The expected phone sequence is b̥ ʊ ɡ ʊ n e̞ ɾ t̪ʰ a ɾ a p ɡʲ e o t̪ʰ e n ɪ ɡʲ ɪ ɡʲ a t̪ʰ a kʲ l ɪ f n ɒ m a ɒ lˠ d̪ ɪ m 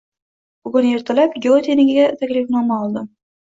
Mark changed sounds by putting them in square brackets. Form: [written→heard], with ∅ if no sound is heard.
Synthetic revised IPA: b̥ ʊ ɡ ʊ n e̞ ɾ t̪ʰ a [ɾ→l] a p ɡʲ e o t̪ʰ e n ɪ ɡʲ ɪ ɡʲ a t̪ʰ a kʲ l ɪ f n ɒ m a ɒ lˠ d̪ ɪ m